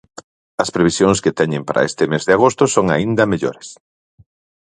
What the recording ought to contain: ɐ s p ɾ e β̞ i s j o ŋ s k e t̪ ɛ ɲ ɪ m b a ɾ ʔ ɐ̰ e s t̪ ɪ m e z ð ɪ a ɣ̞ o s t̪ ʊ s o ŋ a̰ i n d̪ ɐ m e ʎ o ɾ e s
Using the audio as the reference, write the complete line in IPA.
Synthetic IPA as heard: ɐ s p ɾ e β̞ i s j o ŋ s k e t̪ ɛ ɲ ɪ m p a ɾ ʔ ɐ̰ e s t̪ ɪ m e z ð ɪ a ɣ̞ o s t̪ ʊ s o ŋ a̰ i n d̪ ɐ m e ʎ o ɾ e s